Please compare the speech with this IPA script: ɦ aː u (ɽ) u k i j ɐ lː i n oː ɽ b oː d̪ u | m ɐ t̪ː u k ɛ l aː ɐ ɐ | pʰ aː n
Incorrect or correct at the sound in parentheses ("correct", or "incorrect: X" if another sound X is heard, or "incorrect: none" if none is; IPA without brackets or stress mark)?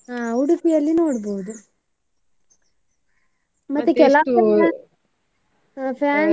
correct